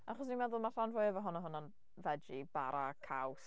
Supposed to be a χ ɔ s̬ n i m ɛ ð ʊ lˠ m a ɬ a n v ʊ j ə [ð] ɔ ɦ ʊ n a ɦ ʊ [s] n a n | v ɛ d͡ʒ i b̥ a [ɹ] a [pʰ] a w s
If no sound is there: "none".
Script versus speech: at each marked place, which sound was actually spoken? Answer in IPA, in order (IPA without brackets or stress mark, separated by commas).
v, none, ɾ, kʰ